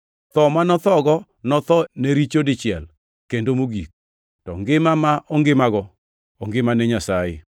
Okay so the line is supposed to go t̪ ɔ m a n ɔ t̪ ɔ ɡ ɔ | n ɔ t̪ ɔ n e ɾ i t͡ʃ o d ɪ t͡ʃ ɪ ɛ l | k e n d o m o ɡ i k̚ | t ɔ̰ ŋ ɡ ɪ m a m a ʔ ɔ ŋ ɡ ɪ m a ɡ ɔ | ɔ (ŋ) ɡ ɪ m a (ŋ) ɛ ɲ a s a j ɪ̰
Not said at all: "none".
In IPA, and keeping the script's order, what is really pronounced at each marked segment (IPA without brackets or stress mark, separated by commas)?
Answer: ŋ, n